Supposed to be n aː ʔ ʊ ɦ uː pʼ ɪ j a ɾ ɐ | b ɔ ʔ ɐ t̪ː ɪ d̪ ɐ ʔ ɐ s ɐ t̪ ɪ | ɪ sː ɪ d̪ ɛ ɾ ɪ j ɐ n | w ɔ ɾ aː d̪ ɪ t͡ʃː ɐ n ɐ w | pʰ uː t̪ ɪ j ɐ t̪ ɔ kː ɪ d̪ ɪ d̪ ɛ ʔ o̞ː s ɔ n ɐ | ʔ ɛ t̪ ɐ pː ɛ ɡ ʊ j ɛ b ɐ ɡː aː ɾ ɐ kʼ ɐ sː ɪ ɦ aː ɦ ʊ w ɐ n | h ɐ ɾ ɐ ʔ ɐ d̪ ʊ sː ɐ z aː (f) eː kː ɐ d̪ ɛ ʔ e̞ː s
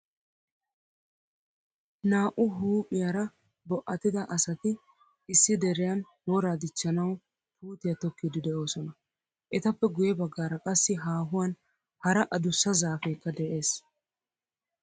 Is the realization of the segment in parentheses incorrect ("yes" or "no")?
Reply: no